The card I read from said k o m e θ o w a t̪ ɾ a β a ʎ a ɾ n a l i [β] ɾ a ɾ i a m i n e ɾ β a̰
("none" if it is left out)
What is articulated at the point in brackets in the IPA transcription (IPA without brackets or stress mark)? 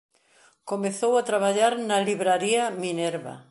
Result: β